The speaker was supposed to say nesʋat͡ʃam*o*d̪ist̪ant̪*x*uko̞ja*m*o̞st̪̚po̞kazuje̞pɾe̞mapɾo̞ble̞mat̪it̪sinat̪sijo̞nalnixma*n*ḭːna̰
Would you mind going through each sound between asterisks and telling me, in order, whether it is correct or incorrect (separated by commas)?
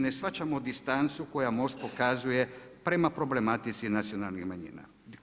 correct, incorrect, correct, incorrect